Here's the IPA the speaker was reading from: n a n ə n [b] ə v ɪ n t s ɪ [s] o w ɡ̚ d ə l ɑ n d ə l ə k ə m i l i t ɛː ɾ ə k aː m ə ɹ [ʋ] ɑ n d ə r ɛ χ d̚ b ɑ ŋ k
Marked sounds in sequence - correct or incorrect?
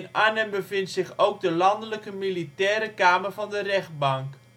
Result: correct, incorrect: χ, incorrect: v

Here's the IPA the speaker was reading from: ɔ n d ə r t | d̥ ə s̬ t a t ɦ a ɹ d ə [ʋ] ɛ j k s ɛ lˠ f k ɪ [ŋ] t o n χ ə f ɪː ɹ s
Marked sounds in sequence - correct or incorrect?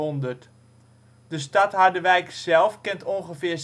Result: correct, incorrect: n

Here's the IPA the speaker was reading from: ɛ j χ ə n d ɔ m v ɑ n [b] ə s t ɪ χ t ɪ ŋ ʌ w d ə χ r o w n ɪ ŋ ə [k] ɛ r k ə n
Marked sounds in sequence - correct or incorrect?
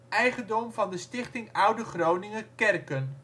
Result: incorrect: d, correct

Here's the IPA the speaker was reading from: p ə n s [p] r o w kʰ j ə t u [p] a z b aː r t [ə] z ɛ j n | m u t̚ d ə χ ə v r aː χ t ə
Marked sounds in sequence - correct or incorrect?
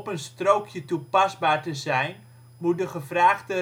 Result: incorrect: t, correct, correct

